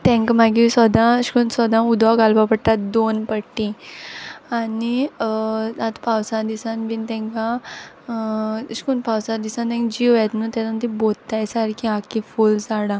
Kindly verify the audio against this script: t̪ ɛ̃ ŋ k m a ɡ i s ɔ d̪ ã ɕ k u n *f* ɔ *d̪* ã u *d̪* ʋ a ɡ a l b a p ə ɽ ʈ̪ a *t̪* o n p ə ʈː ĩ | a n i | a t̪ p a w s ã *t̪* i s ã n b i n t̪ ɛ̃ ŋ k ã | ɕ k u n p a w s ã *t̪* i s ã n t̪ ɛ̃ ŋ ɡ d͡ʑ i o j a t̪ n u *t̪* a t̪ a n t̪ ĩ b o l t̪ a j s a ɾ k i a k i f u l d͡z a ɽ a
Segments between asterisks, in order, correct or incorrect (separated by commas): incorrect, correct, correct, incorrect, incorrect, incorrect, correct